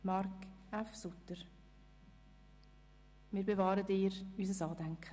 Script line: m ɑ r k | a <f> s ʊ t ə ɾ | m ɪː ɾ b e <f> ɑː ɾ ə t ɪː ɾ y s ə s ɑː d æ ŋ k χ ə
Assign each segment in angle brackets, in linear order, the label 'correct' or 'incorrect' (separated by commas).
correct, incorrect